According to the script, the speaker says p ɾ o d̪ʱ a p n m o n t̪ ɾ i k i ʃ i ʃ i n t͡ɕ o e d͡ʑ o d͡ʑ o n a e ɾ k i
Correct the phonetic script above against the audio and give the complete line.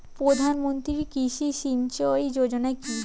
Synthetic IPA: p ɾ o d̪ʱ a n m o n t̪ ɾ i k i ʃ i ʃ i n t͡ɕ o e d͡ʑ o d͡ʑ o n a e k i